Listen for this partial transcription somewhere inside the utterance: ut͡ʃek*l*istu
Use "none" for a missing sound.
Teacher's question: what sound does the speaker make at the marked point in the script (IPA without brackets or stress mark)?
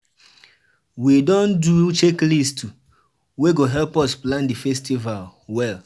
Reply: l